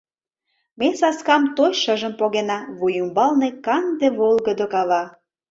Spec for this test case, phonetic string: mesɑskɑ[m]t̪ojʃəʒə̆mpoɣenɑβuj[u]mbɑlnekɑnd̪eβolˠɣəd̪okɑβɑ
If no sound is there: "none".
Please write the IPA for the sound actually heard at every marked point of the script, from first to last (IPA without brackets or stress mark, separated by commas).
m, u